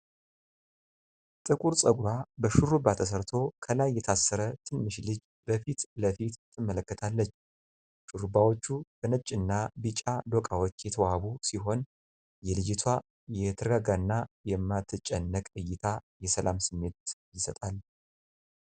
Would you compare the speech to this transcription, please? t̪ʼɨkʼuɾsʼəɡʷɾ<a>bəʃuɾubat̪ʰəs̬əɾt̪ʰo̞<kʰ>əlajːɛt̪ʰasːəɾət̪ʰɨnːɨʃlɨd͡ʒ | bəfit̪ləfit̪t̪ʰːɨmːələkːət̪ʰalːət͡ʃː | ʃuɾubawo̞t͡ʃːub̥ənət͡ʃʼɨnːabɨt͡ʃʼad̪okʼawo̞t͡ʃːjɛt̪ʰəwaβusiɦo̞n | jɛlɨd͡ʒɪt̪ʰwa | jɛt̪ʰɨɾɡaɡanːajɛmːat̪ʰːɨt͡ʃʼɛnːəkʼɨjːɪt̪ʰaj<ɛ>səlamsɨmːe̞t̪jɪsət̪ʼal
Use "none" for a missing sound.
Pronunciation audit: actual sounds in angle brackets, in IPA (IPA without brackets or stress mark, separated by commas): a, kʰ, ɛ